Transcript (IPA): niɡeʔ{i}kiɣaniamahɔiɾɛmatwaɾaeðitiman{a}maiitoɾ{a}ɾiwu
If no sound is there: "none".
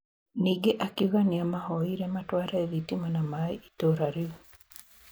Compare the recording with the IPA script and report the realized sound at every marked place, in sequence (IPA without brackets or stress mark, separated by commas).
a, a, a